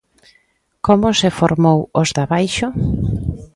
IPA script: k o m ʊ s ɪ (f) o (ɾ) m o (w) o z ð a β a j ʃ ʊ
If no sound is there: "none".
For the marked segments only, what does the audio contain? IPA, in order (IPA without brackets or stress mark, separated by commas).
f, ɾ, w